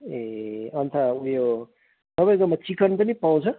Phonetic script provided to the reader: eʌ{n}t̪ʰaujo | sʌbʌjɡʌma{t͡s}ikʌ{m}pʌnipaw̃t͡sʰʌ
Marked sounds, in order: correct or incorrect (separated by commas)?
correct, correct, incorrect